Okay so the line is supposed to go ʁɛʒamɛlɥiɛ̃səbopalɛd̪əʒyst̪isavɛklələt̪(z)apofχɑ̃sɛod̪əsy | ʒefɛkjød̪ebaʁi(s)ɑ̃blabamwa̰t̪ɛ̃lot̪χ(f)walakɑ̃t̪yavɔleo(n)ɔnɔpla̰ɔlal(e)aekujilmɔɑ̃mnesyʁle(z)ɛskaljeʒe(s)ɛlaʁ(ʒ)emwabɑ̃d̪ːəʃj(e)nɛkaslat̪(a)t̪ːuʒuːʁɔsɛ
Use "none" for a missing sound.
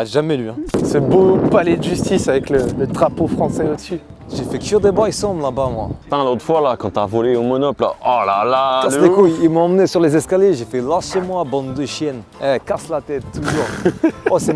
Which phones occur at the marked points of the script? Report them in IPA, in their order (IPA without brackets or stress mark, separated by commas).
ʁ, s, f, m, a, z, f, ʃ, ɛ, ɛ